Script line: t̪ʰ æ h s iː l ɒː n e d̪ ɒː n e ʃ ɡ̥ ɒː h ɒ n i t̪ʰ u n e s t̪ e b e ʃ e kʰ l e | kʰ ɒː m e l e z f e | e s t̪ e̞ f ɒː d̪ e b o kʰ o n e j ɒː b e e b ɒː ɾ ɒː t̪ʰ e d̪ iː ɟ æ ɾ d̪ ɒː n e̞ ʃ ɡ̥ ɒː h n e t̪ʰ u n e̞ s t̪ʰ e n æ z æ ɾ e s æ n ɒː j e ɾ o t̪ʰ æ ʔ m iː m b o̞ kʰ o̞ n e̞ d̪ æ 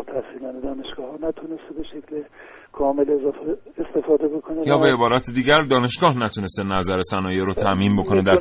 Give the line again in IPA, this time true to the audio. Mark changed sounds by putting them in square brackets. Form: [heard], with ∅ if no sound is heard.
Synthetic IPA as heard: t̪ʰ æ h s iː l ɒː n e d̪ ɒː n e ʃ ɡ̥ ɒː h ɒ n [æ] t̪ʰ u n e s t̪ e b e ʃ e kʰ l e | kʰ ɒː m e l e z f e | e s t̪ e̞ f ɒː d̪ e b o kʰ o n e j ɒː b e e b ɒː ɾ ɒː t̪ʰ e d̪ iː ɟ æ ɾ d̪ ɒː n e̞ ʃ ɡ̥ ɒː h n [æ] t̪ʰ u n e̞ s [t̪] e n æ z æ ɾ e s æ n ɒː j e ɾ o t̪ʰ æ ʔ m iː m b o̞ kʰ o̞ n e̞ d̪ æ